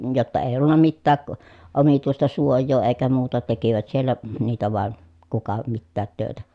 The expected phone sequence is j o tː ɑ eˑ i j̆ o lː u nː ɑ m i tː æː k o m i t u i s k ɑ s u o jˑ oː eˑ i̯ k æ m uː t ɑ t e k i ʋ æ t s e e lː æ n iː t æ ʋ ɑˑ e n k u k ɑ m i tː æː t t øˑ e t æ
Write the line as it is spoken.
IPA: j o tː ɑ eˑ i j̆ o lː u nː ɑ m i tː æː k o m i t u i s t ɑ s u o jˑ oː eˑ i̯ k æ m uː t ɑ t e k i ʋ æ t s i e lː æ n iː t æ ʋ ɑˑ e n k u k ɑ m i tː æː t t øˑ e t æ